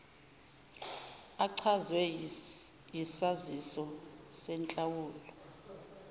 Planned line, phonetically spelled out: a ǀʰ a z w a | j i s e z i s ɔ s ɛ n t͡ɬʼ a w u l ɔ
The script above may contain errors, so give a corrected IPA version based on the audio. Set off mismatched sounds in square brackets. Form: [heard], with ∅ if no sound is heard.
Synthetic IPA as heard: a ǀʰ a z w [ɛ] | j i s [a] z i s ɔ s ɛ n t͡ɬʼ a w [uː] l ɔ